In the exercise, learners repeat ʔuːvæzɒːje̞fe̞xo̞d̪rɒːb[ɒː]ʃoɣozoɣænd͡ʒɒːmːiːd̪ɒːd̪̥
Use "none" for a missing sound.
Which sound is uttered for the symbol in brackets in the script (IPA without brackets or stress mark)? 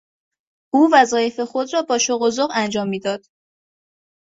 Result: ɒː